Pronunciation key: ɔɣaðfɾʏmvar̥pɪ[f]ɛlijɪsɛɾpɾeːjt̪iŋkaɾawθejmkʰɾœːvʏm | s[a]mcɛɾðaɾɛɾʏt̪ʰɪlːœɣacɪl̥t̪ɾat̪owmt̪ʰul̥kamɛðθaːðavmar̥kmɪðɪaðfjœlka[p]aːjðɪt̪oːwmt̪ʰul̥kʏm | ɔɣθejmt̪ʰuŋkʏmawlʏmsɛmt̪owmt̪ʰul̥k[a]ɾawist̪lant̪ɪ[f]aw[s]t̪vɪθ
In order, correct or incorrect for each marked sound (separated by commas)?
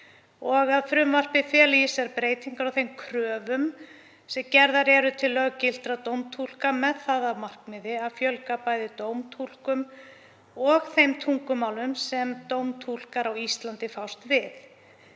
correct, incorrect, correct, correct, correct, correct